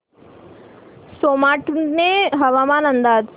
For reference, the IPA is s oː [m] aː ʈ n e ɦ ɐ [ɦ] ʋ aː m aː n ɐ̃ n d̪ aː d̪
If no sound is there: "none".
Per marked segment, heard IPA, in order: m, none

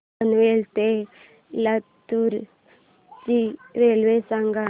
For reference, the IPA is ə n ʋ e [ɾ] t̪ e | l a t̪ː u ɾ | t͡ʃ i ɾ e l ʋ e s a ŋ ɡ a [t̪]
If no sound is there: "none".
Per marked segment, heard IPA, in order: l, none

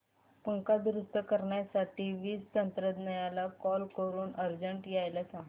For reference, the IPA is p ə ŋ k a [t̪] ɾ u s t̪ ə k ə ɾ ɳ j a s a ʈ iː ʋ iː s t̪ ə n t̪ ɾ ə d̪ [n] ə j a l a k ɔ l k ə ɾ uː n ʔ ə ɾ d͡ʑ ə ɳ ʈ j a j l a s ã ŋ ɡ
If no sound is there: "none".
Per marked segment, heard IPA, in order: d̪, n

